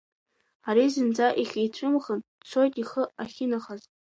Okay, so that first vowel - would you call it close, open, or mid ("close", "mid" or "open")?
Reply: open